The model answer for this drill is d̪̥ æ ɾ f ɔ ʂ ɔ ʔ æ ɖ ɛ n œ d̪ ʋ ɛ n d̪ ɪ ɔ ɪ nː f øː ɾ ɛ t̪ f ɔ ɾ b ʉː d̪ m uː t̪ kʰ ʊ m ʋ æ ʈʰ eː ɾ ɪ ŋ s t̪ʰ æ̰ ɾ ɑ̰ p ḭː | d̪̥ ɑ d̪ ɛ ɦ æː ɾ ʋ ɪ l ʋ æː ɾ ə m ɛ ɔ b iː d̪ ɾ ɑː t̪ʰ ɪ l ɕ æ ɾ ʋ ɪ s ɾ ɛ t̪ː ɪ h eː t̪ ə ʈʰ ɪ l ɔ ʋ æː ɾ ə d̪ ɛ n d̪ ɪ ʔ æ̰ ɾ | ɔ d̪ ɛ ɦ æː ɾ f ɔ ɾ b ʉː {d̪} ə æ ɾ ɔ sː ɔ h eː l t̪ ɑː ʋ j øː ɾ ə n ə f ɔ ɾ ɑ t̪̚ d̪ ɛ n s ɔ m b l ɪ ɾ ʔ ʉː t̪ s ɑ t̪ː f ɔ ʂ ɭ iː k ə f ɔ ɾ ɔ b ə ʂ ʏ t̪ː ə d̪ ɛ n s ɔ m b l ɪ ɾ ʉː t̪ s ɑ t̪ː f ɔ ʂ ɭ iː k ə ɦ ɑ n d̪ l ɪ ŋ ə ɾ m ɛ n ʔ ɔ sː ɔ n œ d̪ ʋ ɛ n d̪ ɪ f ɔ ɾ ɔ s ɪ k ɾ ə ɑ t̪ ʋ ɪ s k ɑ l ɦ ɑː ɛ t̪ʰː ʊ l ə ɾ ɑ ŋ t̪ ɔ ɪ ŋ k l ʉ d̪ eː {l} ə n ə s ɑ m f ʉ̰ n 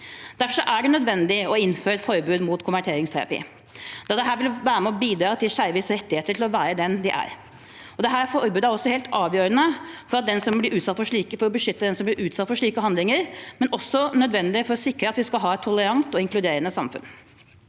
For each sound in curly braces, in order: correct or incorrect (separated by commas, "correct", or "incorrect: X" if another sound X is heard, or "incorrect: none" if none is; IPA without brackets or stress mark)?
correct, incorrect: ɾ